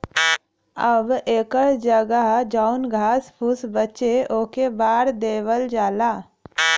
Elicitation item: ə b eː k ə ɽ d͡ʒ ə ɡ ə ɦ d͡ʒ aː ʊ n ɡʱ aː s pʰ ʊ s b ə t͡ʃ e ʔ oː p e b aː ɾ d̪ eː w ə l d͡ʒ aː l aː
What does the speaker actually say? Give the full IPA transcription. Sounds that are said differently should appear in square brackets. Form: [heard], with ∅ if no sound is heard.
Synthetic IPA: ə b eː k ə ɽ d͡ʒ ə ɡ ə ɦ d͡ʒ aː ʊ n ɡʱ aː s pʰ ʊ s b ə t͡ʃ e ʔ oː [k] e b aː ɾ d̪ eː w ə l d͡ʒ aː l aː